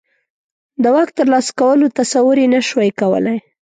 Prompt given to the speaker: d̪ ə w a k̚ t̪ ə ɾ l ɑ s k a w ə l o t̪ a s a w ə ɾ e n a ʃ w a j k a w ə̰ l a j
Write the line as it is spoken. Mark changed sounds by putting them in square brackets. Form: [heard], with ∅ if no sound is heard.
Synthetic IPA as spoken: d̪ ə w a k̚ t̪ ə ɾ l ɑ s k a w ə l o t̪ a s a w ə ɾ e n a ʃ w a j k a w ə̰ l a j